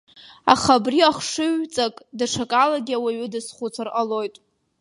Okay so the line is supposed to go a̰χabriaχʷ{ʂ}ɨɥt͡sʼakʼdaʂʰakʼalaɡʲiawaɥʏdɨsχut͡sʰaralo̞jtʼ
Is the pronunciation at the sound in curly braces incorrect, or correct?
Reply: correct